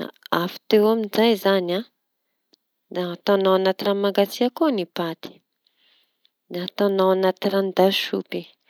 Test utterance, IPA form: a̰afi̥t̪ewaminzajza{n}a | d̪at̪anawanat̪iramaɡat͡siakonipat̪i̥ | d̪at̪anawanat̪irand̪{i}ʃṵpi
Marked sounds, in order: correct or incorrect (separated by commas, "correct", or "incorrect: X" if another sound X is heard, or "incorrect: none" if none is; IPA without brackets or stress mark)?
correct, incorrect: a